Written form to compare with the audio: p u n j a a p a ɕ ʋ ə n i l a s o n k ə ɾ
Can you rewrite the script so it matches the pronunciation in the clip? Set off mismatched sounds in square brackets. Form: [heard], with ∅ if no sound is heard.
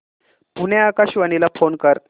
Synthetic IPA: p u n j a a [k] a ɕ ʋ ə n i l a [f] o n k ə ɾ